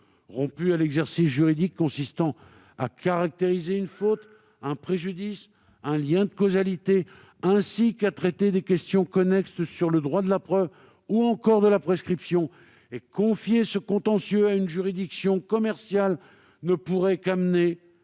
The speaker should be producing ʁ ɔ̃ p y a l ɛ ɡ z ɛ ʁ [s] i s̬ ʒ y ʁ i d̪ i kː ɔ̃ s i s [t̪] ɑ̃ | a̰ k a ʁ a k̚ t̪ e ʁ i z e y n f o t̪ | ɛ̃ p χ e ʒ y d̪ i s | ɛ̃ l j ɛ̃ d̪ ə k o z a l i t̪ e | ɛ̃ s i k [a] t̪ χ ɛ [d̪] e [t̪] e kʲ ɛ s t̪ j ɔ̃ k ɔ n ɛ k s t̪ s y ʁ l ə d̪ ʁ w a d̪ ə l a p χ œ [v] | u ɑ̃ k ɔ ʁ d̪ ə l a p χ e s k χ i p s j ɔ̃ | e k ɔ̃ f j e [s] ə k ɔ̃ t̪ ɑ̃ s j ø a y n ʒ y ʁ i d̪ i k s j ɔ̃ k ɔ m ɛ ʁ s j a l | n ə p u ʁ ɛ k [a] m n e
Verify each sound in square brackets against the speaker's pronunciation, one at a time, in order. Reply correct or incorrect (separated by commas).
correct, correct, correct, incorrect, incorrect, correct, correct, correct